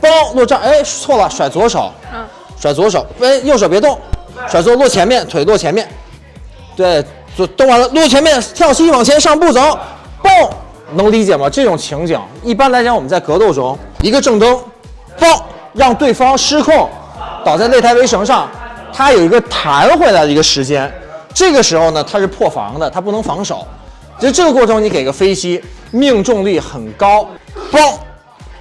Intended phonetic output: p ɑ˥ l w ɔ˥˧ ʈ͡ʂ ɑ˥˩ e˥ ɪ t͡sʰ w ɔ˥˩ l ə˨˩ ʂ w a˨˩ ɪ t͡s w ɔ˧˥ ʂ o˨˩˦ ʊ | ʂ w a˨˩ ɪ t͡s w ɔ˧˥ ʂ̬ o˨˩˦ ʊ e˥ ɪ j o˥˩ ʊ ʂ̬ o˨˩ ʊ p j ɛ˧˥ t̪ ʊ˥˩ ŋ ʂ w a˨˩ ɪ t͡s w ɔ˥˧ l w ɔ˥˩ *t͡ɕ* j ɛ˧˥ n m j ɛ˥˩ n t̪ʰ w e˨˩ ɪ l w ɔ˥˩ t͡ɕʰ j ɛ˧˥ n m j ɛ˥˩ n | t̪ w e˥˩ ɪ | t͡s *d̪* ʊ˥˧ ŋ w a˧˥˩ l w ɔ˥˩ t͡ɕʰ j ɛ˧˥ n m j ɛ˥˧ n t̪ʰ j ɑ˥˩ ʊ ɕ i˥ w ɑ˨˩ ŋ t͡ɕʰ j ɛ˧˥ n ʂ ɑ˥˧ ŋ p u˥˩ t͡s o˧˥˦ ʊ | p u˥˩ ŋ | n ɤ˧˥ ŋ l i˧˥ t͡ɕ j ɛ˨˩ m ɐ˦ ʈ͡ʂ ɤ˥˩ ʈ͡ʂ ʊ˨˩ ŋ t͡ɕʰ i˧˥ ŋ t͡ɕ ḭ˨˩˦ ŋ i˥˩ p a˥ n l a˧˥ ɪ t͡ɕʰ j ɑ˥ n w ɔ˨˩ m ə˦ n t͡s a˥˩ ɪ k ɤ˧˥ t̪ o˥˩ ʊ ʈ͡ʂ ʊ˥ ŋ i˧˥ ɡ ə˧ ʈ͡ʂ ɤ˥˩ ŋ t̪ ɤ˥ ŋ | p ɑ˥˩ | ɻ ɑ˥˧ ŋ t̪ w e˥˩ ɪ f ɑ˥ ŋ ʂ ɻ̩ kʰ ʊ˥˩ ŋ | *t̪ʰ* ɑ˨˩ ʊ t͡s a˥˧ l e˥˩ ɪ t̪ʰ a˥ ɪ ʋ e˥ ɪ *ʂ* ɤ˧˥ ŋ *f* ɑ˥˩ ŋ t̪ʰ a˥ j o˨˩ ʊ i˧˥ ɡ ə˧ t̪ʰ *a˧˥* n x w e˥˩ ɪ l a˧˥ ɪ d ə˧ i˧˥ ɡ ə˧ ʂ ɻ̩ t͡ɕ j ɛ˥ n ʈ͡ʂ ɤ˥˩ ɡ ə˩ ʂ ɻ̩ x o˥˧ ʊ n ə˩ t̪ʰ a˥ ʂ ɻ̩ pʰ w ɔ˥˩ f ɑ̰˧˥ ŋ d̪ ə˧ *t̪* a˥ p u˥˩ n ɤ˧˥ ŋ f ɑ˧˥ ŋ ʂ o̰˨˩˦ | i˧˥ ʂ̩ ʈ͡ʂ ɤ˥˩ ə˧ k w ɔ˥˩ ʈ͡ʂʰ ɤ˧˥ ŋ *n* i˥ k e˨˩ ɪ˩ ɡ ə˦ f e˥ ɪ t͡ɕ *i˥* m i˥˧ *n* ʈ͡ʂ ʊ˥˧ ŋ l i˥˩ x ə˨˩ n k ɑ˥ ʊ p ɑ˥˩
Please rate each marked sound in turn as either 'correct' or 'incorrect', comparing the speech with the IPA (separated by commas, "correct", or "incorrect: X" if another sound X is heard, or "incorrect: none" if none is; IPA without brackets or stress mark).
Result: incorrect: t͡ɕʰ, incorrect: t̪, incorrect: t̪, correct, incorrect: ʂ, correct, incorrect: t̪ʰ, correct, correct, incorrect: ŋ